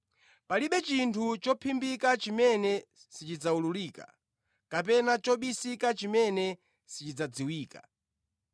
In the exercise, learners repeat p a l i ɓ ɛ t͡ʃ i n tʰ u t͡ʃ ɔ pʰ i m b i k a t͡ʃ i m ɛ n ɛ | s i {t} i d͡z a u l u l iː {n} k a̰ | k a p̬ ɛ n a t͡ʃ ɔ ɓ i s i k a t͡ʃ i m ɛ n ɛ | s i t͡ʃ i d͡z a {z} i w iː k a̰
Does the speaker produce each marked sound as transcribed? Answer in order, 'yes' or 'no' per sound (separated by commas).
no, no, no